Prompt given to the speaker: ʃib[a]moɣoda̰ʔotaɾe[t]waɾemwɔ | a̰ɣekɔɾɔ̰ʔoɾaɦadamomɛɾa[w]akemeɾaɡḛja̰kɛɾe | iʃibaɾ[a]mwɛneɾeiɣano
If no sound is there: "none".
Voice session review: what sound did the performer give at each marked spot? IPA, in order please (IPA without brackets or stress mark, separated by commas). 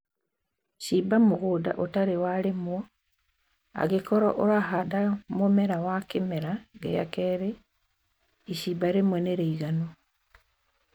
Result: a, none, w, e